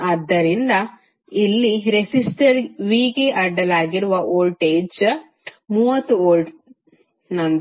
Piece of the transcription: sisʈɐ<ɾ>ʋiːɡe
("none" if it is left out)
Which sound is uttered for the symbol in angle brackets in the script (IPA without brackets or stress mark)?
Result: ɾ